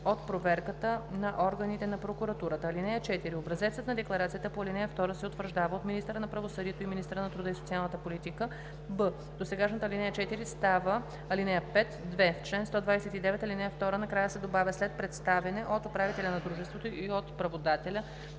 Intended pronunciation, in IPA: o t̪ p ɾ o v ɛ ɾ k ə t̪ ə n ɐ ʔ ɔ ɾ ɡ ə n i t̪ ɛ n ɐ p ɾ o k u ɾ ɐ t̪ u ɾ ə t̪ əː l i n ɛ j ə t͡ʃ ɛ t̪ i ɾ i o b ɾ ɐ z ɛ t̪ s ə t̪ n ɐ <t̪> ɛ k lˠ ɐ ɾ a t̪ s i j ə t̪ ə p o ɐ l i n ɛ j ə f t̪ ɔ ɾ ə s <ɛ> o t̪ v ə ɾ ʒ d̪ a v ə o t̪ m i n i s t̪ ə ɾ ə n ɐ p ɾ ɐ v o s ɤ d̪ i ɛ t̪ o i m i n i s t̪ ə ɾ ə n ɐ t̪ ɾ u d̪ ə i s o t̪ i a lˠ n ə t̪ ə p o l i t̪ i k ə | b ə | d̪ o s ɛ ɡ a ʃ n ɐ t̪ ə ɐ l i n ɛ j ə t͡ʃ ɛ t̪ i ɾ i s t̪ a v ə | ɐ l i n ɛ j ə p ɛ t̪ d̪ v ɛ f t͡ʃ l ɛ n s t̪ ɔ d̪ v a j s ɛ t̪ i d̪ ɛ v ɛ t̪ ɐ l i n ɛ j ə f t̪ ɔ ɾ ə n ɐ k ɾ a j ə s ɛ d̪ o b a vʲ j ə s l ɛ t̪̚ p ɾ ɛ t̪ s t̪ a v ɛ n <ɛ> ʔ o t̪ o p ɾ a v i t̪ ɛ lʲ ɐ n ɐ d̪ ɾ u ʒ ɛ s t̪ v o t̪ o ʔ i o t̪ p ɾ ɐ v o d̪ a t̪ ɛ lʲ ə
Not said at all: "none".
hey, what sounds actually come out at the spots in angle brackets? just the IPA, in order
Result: d̪, ɛ, ɛ

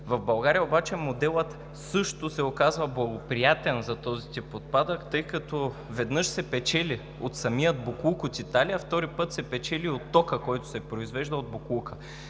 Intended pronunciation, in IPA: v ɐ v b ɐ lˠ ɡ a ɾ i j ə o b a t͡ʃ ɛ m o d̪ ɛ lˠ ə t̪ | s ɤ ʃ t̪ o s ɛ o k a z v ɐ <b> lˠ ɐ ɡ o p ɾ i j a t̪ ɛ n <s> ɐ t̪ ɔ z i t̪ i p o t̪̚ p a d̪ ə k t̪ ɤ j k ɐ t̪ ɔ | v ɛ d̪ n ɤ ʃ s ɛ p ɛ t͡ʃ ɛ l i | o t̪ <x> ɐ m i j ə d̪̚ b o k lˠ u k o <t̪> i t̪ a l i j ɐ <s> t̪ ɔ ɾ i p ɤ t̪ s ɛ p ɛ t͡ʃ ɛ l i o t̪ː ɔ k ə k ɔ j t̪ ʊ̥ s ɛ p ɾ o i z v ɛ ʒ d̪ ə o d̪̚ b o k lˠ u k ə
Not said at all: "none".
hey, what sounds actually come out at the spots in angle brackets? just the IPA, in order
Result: b, z, s, t̪, f

